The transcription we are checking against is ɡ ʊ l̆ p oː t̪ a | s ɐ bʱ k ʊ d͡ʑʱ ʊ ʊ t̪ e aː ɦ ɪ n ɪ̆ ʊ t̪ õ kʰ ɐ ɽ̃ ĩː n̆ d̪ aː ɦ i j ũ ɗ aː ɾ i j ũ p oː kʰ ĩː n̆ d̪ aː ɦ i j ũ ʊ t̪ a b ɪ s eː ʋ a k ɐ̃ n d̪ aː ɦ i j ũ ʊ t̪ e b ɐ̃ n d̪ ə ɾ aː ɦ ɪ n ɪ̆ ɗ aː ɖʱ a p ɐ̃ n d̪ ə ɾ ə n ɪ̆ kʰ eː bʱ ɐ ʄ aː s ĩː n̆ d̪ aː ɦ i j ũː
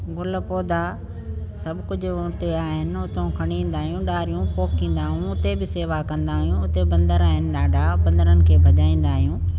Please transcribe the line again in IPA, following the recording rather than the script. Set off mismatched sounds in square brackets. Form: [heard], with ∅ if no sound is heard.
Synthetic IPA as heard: ɡ ʊ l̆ p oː [d̪] a | s ɐ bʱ k ʊ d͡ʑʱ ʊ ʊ t̪ e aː ɦ ɪ n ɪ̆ ʊ t̪ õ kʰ ɐ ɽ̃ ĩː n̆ d̪ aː ɦ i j ũ ɗ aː ɾ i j ũ p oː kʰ ĩː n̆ d̪ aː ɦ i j ũ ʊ t̪ [e] b ɪ s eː ʋ a k ɐ̃ n d̪ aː ɦ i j ũ ʊ t̪ e b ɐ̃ n d̪ ə ɾ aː ɦ ɪ n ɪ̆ ɗ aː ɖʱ a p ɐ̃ n d̪ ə ɾ ə n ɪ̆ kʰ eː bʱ ɐ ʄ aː [∅] ĩː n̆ d̪ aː ɦ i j ũː